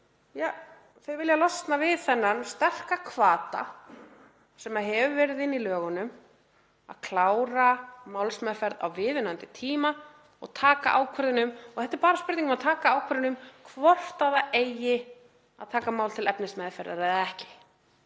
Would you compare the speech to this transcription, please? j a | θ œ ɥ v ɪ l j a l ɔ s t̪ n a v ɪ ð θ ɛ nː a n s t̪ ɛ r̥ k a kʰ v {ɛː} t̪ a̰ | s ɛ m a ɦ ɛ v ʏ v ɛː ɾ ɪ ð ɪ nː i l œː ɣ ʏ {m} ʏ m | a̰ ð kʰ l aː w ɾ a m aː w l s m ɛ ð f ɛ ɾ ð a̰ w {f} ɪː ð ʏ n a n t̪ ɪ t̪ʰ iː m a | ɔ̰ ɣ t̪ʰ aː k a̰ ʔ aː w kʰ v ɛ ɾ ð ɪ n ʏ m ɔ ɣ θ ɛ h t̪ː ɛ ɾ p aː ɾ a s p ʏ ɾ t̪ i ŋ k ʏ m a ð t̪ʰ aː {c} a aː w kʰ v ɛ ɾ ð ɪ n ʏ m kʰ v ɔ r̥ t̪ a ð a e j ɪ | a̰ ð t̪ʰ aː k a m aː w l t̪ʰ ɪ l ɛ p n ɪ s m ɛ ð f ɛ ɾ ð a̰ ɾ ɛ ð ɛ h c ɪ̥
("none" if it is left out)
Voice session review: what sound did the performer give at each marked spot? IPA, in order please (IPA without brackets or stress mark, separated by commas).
aː, n, v, k